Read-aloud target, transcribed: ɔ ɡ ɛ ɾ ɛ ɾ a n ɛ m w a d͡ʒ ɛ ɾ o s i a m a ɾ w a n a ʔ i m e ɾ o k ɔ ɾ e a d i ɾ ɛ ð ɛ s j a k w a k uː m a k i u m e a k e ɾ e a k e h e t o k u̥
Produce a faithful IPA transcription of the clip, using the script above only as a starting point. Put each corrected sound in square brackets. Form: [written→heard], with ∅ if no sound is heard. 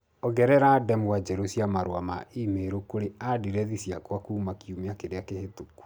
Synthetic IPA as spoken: ɔ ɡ ɛ ɾ ɛ ɾ a [n→d] ɛ m w a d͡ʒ ɛ ɾ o s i a m a ɾ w a [n→m] a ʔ i m e ɾ o k [ɔ→o] ɾ e a d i ɾ ɛ ð [ɛ→i] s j a k w a k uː m a k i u m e a k e ɾ e a k e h e t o k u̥

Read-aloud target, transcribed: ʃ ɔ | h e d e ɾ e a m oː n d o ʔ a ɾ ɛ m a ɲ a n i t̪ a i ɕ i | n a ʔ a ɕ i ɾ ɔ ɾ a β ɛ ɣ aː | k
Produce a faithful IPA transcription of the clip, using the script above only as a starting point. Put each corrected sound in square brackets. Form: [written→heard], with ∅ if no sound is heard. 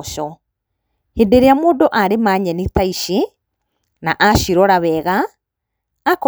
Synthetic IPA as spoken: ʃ ɔ | h e d e ɾ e a m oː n d o ʔ a ɾ [ɛ→e] m a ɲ [a→ɛ] n i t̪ a i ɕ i | n a ʔ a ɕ i ɾ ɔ ɾ a β ɛ ɣ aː | k

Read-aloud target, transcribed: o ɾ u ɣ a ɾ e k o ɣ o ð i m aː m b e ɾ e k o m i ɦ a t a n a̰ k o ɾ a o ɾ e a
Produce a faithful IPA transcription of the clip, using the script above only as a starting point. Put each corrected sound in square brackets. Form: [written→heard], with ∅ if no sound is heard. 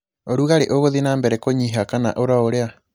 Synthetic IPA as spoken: o ɾ u ɣ a ɾ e [k→ʔ] o ɣ o ð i [m→n] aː m b e ɾ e k o [m→ɲ] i ɦ a [t→k] a n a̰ [k→ʔ] o ɾ a o ɾ e a

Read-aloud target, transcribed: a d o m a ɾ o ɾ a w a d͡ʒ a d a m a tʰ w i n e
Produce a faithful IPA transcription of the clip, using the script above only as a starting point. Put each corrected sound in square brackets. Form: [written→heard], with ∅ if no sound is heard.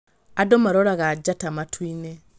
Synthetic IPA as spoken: a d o m a ɾ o ɾ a [w→ɣ] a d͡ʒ a [d→t] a m a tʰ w i n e

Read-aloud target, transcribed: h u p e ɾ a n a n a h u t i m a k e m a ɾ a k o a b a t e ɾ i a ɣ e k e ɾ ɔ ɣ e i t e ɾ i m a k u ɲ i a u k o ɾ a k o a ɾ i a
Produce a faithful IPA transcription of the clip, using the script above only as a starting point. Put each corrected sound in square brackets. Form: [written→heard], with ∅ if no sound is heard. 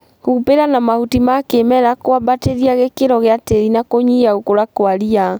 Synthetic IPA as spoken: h u p e ɾ a n a [n→m] a h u t i m a k e m [a→ɛ] ɾ a k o a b a t e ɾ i a ɣ e k e ɾ ɔ ɣ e [i→a] t e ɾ i [m→n] a k [u→o] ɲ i a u k o ɾ a k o a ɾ i a

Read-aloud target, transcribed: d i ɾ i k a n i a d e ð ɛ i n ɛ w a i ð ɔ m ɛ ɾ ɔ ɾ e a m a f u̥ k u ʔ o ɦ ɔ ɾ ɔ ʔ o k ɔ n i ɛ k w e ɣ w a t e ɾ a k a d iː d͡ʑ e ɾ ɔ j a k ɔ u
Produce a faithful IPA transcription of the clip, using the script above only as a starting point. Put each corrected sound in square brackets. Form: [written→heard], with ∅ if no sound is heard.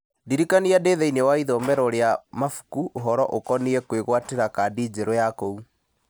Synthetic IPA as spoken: d i ɾ i k a n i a d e ð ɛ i n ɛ w a i ð ɔ m ɛ ɾ ɔ ɾ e a m a f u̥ k u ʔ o ɦ ɔ ɾ ɔ ʔ o k ɔ n i ɛ k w e ɣ w a t e ɾ a k a d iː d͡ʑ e ɾ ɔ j a k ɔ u

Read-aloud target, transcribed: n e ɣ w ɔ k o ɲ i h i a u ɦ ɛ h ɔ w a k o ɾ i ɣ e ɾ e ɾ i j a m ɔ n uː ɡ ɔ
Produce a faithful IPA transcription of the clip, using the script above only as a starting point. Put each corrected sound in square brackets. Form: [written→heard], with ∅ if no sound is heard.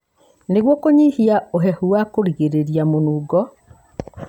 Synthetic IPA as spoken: n e ɣ w ɔ k o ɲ i h i a [u→o] ɦ ɛ h [ɔ→u] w a k o ɾ i ɣ e ɾ e ɾ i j a m [ɔ→o] n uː ɡ ɔ

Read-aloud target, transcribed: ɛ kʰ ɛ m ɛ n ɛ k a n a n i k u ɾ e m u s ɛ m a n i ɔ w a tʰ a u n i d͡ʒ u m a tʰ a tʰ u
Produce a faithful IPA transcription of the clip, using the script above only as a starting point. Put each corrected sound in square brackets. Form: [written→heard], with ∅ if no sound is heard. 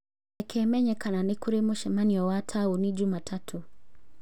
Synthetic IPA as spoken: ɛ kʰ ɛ m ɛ [n→ɲ] ɛ k a n a n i k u ɾ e m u [s→ʃ] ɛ m a n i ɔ w a tʰ a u n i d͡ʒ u m a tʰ a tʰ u

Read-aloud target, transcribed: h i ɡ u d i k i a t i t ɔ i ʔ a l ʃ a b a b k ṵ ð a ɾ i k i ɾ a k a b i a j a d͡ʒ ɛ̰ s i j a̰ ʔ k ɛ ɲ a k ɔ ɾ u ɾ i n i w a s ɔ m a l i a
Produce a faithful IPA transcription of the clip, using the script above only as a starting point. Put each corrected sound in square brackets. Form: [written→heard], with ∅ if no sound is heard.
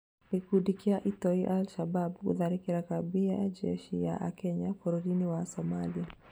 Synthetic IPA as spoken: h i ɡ u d i k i a [t→ʔ] i t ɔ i ʔ a l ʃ a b a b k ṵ ð a ɾ i k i ɾ a k a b i a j a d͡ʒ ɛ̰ [s→ʃ] i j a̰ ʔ k ɛ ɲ a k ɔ ɾ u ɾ i n i w a s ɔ m a l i a

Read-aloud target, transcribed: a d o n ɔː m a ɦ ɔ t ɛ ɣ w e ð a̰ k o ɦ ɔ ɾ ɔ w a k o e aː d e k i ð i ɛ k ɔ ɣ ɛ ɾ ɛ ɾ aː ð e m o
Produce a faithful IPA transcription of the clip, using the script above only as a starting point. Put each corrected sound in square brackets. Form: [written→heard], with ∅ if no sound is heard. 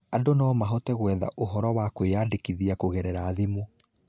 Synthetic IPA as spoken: a d o n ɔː m a ɦ ɔ t ɛ ɣ w [e→ɛ] ð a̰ [k→ʔ] o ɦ ɔ ɾ ɔ w a k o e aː d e k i ð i [ɛ→a] k [ɔ→o] ɣ ɛ ɾ ɛ ɾ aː ð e m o

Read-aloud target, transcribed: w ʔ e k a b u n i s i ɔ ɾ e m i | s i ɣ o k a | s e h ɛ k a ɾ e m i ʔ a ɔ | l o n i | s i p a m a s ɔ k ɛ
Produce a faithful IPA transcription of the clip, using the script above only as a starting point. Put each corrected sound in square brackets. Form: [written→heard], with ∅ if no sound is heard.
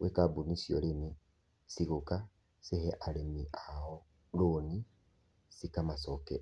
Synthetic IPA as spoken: w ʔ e k a b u n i s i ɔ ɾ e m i | s i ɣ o k a | s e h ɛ [k→ʔ] a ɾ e m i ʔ a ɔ | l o n i | s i [p→k] a m a s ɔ k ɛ

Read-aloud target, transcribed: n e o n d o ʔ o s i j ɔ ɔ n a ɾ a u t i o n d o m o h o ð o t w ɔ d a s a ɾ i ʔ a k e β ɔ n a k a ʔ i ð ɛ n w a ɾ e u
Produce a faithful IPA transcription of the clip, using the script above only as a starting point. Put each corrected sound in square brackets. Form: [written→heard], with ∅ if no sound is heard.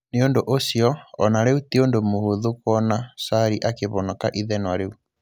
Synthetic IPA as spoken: n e o n d o ʔ o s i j ɔ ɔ n a ɾ [a→e] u t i o n d o m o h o ð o [t→k] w ɔ [d→n] a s a ɾ i ʔ a k e β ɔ n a k a ʔ i ð ɛ n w a ɾ e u

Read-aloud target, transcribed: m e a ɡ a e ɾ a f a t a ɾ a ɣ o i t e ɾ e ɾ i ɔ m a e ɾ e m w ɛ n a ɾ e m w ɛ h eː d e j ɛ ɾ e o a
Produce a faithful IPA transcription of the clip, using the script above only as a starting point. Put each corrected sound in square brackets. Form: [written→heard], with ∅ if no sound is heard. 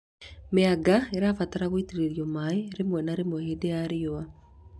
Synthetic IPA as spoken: m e a ɡ a e ɾ a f a t a ɾ a ɣ o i t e ɾ e ɾ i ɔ m a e ɾ e m w ɛ n a ɾ e m w ɛ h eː d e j [ɛ→a] ɾ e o a

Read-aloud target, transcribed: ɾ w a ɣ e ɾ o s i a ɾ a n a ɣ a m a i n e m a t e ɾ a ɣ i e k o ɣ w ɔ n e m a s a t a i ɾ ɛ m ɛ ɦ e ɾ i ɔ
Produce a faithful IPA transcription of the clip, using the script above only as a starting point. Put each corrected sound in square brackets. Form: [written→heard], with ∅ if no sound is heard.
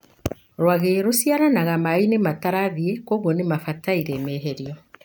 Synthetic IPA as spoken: ɾ w a ɣ e ɾ o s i a ɾ a n a ɣ a m a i n e m a t [e→a] ɾ a [ɣ→ð] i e k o ɣ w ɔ n e m a [s→f] a t a i ɾ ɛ m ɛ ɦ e ɾ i ɔ

